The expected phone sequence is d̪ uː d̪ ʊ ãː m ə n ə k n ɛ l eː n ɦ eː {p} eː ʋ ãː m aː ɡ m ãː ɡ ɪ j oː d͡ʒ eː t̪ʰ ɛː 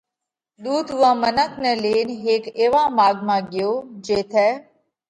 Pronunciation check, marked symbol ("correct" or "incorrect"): incorrect